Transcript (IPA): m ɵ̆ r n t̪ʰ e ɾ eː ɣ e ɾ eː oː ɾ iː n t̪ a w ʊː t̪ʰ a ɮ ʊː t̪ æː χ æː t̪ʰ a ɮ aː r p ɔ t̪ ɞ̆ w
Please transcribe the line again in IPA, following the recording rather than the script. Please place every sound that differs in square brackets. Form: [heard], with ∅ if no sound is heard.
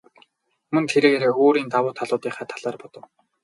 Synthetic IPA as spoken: m ɵ̆ [∅] n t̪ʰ e ɾ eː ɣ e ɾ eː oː ɾ iː n t̪ a w ʊː t̪ʰ a ɮ ʊː t̪ [iː] χ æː t̪ʰ a ɮ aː r p ɔ t̪ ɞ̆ w